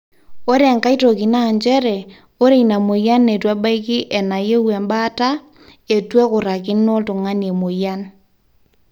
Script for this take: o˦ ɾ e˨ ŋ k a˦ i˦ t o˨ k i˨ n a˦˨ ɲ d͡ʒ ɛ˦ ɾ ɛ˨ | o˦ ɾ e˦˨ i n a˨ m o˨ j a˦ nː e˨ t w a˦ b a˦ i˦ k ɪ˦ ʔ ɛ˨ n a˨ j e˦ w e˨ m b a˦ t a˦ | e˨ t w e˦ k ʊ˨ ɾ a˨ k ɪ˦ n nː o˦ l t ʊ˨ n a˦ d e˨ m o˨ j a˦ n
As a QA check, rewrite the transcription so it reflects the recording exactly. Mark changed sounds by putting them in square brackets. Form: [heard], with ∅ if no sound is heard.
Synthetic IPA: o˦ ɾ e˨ ŋ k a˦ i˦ t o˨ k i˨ n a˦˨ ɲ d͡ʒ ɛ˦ ɾ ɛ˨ | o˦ ɾ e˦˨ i n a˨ m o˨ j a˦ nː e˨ t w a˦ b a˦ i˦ k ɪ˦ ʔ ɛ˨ n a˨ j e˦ w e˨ m b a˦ t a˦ | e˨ t w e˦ k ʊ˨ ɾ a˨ k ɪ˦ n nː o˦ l t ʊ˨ [ŋ] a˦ [n] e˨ m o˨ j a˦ n